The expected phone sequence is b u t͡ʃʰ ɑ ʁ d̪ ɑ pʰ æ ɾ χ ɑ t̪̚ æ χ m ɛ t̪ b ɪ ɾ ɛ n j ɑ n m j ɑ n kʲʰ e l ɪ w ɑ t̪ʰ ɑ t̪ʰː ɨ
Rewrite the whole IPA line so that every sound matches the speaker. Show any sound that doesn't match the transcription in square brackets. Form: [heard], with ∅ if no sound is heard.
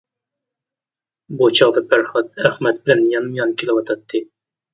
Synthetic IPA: b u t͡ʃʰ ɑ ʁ d̪ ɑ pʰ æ ɾ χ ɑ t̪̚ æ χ m ɛ t̪ b ɪ [l] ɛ n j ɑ n m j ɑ n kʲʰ e l ɪ w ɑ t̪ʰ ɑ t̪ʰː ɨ